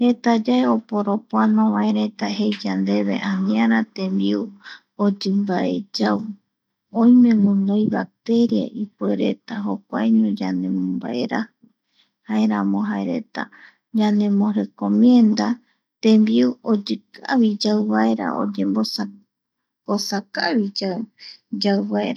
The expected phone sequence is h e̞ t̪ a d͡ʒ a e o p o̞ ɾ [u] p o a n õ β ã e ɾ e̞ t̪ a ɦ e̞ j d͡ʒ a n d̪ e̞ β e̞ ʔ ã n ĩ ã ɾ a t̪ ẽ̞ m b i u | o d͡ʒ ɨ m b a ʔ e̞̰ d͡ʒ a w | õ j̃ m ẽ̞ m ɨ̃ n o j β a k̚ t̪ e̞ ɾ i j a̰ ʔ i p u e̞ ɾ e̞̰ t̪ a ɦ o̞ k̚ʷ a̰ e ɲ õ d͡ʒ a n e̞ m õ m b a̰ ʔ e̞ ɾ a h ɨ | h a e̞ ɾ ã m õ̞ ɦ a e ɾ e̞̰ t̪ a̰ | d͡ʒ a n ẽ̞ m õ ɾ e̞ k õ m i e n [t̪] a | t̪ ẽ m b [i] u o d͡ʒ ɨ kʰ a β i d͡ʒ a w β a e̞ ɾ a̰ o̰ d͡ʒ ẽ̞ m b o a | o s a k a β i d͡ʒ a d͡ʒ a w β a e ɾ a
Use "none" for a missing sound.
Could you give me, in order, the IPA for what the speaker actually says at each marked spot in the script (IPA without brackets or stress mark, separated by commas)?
o, d̪, i